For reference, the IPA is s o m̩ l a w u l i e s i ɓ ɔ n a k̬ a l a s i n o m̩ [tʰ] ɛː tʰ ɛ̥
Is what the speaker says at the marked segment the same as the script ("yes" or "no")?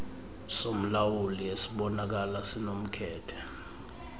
no